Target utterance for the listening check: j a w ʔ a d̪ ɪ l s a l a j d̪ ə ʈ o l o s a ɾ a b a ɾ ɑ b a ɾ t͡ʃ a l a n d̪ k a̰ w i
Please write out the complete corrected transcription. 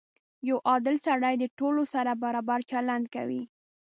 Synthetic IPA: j a w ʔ ɑ d̪ ɪ l s a ɽ a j d̪ ə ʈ o l o s a ɾ a b a ɾ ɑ b a ɾ t͡ʃ a l a n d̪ k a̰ w i

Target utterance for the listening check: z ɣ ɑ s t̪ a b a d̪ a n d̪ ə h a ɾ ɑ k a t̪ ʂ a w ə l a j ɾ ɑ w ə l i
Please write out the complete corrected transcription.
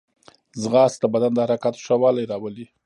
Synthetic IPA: z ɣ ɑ s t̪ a b a d̪ a n d̪ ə h a ɾ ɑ k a t̪ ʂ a w ɑ l a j ɾ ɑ w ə l i

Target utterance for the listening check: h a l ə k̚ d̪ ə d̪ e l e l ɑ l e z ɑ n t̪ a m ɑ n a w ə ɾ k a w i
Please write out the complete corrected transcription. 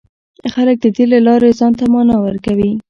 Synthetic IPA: x a l ə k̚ d̪ ə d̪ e l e l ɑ ɾ e z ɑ n t̪ a m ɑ n ɑ w ə ɾ k a w i

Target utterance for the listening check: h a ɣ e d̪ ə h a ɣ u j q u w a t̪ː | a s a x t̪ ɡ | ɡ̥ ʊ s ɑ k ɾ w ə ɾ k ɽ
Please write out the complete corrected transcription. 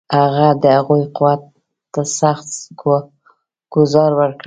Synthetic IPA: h a ɣ a d̪ ə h a ɣ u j q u w a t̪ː | a s a x t̪ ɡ | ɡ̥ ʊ z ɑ ɾ w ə ɾ k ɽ

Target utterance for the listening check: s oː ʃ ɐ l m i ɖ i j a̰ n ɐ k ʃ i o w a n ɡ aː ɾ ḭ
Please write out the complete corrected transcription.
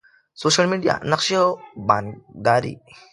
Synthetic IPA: s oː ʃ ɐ l m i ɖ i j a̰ n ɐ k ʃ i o b a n ɡ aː ɾ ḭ

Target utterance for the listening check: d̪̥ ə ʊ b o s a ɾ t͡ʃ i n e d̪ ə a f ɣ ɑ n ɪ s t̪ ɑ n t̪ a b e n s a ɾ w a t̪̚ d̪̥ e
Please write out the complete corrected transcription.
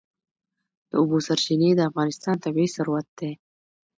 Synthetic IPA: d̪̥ ə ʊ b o s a ɾ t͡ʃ i n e d̪ ə a f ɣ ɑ n ɪ s t̪ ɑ n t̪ a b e s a ɾ w a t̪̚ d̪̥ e

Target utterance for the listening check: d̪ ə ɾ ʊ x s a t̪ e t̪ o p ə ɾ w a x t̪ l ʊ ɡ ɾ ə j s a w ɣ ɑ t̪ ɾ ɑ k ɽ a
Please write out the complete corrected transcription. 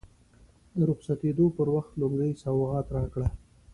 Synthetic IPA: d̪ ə ɾ ʊ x s a t̪ e d̪ o p ə ɾ w a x t̪ l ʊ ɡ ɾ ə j s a w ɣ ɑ t̪ ɾ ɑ k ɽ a

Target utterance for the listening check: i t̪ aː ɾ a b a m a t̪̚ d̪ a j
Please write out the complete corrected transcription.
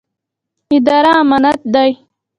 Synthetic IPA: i d̪ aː ɾ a m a n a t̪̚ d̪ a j

